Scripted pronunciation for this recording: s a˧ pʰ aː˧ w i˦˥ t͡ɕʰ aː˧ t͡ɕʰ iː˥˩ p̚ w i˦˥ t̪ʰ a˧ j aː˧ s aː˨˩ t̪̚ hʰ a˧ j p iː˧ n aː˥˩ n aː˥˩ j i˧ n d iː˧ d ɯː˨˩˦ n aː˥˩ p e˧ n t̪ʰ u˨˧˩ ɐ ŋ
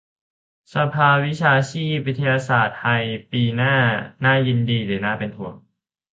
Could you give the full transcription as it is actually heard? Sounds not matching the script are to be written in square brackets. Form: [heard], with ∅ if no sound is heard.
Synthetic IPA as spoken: s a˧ pʰ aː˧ w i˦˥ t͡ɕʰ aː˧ t͡ɕʰ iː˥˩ p̚ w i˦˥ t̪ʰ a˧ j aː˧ s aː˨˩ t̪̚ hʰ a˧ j p iː˧ n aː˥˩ n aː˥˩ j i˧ n d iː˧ d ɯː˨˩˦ n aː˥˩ p e˧ n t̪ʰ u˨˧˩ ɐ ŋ